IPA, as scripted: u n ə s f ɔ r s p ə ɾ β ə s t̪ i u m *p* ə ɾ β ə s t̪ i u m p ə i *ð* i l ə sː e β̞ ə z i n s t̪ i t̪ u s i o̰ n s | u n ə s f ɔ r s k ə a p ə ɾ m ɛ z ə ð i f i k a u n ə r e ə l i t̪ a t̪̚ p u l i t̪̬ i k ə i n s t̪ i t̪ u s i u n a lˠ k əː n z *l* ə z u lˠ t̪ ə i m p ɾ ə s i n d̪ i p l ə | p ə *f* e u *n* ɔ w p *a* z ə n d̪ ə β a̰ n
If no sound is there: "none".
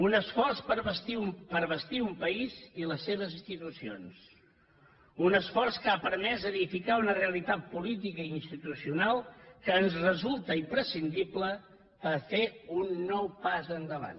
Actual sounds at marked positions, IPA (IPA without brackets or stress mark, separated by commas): p, z, r, f, nː, a